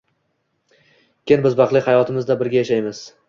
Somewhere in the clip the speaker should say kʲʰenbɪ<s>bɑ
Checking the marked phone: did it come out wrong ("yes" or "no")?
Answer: yes